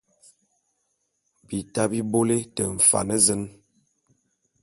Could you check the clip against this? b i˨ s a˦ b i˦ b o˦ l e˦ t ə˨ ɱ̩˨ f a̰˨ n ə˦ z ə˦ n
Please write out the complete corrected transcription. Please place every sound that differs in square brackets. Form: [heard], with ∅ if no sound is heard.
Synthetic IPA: b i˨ [t] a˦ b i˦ b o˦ l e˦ t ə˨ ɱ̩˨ f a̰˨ n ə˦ z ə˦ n

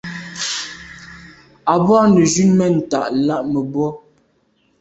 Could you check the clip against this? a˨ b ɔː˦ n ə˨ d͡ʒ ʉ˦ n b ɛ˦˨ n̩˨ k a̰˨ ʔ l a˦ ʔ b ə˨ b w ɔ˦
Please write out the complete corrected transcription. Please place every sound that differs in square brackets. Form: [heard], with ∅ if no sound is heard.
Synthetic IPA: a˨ b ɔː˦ n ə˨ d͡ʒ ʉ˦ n [m] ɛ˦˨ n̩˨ [t] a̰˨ ʔ l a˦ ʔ [m] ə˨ b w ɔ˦

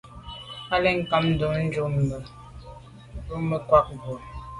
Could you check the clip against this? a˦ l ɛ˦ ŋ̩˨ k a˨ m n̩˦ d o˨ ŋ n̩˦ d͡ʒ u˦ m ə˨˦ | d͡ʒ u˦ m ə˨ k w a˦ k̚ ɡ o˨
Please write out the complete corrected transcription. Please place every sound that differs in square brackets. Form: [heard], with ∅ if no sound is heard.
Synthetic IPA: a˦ l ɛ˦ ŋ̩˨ k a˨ m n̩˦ d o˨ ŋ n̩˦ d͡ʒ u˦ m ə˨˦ | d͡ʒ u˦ m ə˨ k w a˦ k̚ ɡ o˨

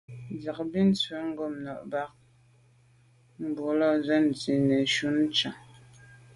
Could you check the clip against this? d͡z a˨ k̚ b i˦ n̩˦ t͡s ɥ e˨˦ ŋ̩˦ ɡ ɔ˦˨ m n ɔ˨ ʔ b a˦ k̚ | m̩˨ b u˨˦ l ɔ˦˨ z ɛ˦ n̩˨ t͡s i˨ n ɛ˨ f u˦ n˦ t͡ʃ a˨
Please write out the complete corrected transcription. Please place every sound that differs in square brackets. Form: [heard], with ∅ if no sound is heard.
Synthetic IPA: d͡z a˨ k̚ b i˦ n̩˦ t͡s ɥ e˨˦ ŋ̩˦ ɡ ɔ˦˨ m n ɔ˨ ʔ b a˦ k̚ | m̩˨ b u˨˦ l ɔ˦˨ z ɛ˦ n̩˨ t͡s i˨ n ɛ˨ [ʃ] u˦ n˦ t͡ʃ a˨

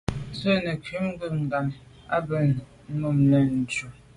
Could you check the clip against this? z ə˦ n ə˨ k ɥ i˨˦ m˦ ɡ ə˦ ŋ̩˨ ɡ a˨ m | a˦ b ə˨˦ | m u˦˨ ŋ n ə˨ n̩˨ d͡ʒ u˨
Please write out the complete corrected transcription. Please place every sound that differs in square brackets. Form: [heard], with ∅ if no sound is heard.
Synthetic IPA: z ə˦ n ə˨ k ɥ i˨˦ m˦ ɡ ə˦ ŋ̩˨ ɡ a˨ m | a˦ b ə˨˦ | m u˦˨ [m] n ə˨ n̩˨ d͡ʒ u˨

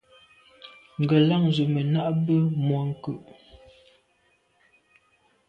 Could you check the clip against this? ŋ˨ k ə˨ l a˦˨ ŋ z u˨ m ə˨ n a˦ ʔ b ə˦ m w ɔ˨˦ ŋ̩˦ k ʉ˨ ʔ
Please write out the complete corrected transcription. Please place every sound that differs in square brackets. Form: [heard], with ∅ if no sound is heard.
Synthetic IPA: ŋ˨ [ɡ] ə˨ l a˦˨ ŋ z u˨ m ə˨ n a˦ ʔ b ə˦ m w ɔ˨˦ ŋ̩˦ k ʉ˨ ʔ

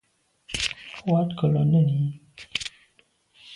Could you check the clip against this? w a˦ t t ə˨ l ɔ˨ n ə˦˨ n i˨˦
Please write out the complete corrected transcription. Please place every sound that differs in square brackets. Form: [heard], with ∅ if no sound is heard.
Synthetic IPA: w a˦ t [k] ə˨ l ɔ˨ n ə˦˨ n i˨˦

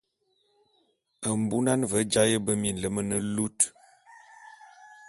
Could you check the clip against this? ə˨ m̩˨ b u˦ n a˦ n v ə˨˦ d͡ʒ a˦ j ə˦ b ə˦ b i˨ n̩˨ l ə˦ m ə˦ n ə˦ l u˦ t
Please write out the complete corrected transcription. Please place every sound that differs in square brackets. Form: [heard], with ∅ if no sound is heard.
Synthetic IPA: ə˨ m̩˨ b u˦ n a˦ n v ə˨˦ d͡ʒ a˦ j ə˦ b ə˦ [m] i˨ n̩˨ l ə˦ m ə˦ n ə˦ l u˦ t

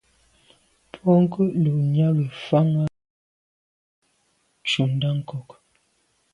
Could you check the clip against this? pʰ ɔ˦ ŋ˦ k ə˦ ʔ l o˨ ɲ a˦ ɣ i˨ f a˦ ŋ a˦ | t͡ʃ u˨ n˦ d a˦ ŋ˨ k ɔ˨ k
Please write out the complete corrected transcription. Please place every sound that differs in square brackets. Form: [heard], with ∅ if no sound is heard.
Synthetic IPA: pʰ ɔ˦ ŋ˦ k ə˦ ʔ l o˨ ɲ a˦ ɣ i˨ f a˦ ŋ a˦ | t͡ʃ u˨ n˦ d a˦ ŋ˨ k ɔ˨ k

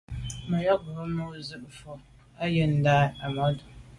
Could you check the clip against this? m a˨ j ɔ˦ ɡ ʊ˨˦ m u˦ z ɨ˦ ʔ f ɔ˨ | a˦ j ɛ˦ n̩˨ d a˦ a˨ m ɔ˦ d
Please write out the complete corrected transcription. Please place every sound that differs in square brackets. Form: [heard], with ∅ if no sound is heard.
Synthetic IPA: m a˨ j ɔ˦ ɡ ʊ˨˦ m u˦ z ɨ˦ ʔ f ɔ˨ | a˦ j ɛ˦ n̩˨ d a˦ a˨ m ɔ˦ d

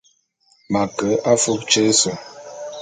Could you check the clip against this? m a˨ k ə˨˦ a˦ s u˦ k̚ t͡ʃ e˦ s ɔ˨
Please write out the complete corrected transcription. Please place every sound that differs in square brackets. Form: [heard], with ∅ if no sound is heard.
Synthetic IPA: m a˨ k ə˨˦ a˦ [f] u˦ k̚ t͡ʃ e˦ s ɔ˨

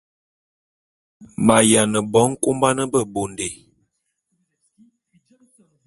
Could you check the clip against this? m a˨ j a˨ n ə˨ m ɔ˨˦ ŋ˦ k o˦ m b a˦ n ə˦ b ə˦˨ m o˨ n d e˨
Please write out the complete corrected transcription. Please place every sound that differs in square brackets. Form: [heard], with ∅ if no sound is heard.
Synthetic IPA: m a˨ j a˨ n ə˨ [b] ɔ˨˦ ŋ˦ k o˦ m b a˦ n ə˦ b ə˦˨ [b] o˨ n d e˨

